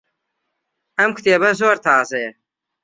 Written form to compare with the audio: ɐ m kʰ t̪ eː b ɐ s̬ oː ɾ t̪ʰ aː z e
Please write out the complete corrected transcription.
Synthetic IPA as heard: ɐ m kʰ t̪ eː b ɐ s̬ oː ɾ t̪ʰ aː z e

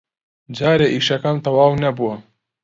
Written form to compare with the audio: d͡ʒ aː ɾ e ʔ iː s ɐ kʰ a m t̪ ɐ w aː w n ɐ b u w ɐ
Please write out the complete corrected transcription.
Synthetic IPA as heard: d͡ʒ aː ɾ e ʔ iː ʃ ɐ k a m t̪ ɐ w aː w n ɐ b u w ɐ

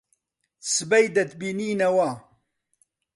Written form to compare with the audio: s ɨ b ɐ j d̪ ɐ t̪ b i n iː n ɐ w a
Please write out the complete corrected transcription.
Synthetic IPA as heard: s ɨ b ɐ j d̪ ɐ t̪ b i n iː n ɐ w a

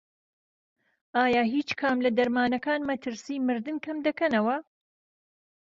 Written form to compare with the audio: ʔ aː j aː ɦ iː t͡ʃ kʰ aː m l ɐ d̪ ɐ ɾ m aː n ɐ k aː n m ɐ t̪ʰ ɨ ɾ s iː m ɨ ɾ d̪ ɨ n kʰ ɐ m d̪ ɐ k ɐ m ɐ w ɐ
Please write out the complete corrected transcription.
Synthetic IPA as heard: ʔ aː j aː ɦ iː t͡ʃ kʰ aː m l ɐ d̪ ɐ ɾ m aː n ɐ k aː n m ɐ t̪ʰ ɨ ɾ s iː m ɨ ɾ d̪ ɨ n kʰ ɐ m d̪ ɐ k ɐ n ɐ w ɐ

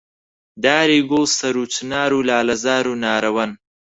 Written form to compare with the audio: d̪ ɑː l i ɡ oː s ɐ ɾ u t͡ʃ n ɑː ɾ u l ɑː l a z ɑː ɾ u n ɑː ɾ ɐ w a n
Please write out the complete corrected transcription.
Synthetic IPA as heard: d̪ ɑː ɾ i ɡ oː s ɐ ɾ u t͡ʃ n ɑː ɾ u l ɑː l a z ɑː ɾ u n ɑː ɾ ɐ w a n

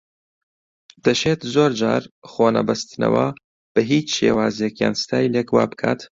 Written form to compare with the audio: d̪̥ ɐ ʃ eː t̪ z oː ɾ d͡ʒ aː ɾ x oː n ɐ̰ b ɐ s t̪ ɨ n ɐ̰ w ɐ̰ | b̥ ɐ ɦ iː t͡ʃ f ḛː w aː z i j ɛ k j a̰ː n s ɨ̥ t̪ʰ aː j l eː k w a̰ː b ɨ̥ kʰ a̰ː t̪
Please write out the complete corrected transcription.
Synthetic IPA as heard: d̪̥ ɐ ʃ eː t̪ z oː ɾ d͡ʒ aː ɾ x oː n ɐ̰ b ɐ s t̪ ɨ n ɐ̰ w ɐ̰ | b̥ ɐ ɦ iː t͡ʃ ʃ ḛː w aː z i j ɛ k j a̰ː n s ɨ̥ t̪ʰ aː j l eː k w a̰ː b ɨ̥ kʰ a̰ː t̪

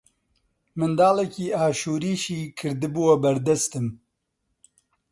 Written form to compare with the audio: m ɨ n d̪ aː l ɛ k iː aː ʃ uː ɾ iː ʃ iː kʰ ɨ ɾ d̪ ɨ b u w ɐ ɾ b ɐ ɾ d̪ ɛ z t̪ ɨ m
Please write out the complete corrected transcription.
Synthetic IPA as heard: m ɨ n d̪ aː l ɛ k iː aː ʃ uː ɾ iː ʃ iː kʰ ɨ ɾ d̪ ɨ b u w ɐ b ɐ ɾ d̪ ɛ s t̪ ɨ m

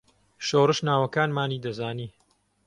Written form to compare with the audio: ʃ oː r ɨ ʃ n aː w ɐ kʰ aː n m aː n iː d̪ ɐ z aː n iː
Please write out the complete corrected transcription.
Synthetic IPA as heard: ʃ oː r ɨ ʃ n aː w ɐ k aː n m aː n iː d̪ ɐ z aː n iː

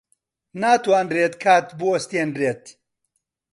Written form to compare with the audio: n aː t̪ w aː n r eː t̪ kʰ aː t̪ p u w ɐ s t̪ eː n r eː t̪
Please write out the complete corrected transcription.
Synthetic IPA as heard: n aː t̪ w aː n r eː t̪ kʰ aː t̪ b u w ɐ s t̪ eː n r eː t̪

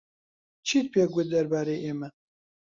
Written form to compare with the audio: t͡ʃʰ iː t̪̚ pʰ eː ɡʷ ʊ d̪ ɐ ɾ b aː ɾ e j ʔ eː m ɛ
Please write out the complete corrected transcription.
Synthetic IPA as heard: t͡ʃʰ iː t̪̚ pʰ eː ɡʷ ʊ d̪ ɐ ɾ b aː ɾ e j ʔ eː m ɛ

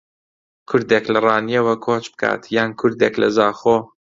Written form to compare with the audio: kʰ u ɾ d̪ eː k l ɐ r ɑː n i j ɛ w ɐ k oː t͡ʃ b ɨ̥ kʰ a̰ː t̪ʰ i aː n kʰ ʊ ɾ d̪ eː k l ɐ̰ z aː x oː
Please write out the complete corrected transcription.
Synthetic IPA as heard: kʰ ʊ ɾ d̪ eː k l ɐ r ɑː n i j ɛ w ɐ kʰ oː t͡ʃ b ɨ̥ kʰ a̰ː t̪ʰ j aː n kʰ ʊ ɾ d̪ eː k l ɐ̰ z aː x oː

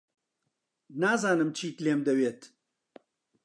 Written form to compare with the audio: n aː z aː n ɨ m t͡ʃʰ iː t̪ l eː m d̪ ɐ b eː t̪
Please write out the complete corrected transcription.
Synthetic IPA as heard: n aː z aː n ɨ m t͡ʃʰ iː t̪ l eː m d̪ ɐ w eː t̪

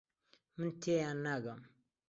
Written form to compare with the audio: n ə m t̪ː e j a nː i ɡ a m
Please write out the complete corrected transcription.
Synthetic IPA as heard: m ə n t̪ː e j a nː a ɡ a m

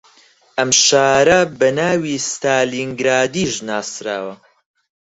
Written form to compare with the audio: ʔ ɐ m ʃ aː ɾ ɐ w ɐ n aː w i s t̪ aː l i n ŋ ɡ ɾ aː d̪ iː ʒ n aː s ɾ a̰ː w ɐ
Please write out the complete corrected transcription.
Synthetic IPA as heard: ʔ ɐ m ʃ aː ɾ ɐ b ɐ n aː w i s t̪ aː l i ŋ ɡ ɾ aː d̪ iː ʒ n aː s ɾ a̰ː w ɐ

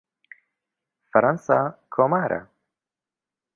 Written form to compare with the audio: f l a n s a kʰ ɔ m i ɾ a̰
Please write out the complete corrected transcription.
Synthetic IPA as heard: f ɾ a n s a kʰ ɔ m a ɾ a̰

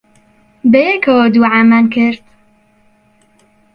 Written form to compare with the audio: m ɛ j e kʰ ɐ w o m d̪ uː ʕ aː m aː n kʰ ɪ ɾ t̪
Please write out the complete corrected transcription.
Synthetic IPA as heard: b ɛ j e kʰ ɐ w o d̪ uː ʕ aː m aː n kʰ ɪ ɾ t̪

